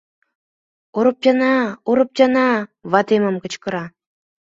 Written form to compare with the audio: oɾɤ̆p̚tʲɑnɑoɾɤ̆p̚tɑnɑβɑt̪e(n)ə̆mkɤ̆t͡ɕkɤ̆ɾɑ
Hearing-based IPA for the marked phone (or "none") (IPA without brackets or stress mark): m